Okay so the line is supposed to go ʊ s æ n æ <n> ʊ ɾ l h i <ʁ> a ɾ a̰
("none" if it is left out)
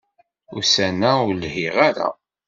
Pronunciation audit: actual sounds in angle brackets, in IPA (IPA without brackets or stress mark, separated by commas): none, ʁ